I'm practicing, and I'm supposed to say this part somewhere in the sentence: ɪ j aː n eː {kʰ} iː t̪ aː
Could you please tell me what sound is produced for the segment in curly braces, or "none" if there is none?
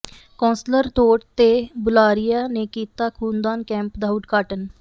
k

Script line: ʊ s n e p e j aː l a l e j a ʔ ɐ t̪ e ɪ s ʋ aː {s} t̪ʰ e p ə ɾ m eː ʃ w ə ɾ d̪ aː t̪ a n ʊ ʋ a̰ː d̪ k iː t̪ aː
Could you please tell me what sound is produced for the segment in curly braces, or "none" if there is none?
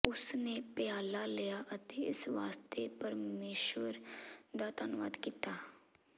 s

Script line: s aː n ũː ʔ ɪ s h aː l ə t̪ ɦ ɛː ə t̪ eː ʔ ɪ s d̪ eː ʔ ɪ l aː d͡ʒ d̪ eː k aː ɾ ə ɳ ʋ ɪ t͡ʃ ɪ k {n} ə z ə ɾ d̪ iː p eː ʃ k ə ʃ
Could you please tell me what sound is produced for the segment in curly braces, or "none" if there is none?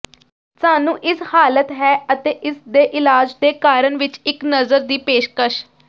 n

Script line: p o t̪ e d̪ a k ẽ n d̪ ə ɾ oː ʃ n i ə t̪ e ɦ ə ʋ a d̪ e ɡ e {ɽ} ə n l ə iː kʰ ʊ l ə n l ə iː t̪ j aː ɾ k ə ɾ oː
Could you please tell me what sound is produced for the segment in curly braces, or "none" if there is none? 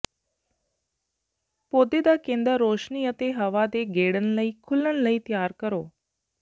ɽ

